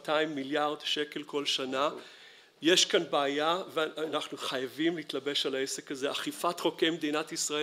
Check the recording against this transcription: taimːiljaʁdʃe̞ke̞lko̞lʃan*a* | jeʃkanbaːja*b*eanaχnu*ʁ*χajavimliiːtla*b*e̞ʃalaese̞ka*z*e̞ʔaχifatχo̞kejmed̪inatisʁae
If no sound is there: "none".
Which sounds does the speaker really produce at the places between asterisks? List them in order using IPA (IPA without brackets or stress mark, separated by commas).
a, v, none, b, z